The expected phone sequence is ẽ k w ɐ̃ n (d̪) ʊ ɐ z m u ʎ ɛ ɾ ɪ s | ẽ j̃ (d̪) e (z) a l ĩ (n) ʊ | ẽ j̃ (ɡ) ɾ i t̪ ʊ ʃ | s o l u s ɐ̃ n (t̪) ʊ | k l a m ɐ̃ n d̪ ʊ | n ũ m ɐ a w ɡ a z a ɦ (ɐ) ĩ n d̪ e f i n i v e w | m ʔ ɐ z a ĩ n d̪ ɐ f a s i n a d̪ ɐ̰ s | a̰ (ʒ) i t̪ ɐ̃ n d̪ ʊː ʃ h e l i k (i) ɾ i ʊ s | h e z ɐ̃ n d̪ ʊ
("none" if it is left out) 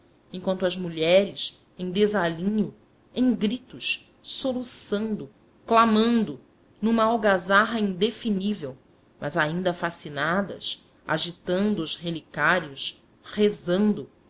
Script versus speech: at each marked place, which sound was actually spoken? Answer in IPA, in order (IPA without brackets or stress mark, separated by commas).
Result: t̪, d̪, z, ɲ, ɡ, d̪, ɐ, ʒ, a